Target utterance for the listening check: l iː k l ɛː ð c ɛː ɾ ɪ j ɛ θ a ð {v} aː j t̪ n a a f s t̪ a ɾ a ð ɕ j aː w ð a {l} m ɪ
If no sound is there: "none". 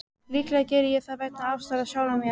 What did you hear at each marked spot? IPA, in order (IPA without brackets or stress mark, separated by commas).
v, none